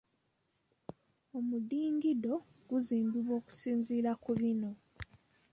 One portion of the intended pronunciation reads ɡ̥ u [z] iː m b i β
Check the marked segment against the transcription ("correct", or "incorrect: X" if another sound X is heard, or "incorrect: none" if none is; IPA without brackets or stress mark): correct